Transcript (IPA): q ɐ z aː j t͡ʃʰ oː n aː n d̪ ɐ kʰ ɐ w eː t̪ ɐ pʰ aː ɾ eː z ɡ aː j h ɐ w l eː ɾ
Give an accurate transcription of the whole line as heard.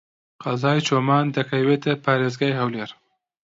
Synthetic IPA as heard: q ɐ z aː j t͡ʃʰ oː m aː n d̪ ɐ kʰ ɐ w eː t̪ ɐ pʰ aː ɾ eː z ɡ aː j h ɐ w l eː ɾ